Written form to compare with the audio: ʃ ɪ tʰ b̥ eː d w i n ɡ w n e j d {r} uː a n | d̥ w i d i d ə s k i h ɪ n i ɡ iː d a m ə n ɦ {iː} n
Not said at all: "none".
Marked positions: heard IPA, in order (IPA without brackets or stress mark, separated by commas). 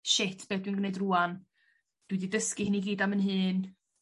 r, ɨː